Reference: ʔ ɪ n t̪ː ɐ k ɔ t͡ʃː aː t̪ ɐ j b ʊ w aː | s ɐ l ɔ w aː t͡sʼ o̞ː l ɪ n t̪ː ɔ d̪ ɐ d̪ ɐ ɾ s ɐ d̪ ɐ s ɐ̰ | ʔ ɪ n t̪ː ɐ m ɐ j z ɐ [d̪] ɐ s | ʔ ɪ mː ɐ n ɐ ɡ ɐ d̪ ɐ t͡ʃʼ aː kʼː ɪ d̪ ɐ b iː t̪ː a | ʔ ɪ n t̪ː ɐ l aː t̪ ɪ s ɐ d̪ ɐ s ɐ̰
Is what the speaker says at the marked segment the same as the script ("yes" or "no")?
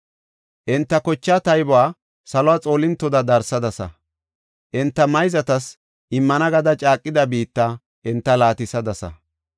no